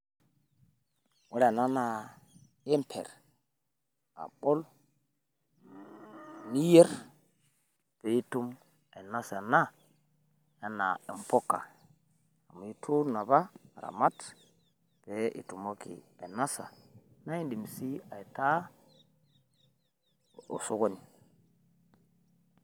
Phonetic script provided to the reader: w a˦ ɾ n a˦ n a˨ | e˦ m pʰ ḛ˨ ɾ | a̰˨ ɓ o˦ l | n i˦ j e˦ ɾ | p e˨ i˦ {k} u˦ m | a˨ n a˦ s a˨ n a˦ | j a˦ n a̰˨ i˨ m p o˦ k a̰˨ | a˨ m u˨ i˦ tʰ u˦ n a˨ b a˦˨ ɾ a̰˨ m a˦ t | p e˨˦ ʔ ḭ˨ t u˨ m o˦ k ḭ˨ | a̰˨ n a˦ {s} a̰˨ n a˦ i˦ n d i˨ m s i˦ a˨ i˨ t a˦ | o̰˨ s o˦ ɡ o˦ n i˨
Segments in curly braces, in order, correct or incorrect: incorrect: t, correct

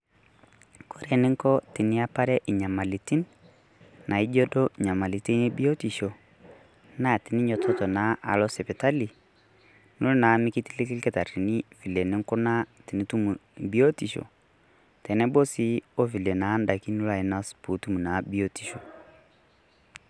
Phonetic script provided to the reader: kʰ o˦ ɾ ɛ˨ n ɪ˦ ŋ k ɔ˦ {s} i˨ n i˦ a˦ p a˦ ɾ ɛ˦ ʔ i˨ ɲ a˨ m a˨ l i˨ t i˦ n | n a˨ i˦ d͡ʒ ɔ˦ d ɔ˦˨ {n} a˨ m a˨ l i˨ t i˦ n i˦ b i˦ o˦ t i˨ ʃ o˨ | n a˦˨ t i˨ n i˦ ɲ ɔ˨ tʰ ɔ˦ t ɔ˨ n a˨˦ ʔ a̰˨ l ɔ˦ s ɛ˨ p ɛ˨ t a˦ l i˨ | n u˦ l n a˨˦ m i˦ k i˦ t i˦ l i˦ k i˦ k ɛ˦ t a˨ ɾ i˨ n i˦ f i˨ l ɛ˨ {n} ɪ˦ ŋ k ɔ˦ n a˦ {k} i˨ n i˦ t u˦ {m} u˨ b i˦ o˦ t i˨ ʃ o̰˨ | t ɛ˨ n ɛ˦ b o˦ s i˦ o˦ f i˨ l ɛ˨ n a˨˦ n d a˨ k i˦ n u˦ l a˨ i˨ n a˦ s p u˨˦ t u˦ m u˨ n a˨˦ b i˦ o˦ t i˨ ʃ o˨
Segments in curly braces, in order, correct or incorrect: incorrect: t, incorrect: ɲ, correct, incorrect: t, correct

